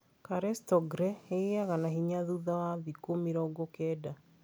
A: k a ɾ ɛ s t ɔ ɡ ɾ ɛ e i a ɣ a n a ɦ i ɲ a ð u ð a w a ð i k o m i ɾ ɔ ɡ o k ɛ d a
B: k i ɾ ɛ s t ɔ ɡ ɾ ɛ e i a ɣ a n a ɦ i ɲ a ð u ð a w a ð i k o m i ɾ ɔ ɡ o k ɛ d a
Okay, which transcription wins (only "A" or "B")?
A